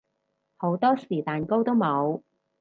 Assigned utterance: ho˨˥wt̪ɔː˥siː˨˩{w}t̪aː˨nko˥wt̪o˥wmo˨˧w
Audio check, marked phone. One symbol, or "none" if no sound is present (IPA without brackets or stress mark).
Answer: none